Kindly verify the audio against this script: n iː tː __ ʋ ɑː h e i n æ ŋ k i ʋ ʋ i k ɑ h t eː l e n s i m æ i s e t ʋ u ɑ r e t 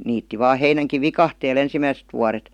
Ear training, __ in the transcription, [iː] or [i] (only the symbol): i